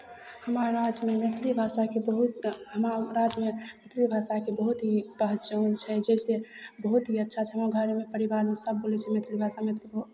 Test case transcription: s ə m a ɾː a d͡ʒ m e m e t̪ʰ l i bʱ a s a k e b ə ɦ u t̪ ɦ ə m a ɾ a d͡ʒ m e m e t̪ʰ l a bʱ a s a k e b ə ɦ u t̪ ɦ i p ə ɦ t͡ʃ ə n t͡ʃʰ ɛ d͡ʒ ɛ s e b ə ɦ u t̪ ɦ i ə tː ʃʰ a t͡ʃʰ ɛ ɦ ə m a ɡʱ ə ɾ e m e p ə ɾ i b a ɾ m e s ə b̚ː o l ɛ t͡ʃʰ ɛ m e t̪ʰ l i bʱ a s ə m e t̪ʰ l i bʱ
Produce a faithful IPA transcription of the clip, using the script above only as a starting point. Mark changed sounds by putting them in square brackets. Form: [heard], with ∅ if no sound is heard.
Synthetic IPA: [h] ə m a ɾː a d͡ʒ m e m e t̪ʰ l i bʱ a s a k e b ə ɦ u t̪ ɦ ə m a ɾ a d͡ʒ m e m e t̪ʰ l [i] bʱ a s a k e b ə ɦ u t̪ ɦ i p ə ɦ t͡ʃ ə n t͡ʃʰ ɛ d͡ʒ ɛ s e b ə ɦ u t̪ ɦ i ə tː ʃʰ a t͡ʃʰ ɛ ɦ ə m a ɡʱ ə ɾ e m e p ə ɾ i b a ɾ m e s ə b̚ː o l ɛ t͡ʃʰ ɛ m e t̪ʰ l i bʱ a s [a] m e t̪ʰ l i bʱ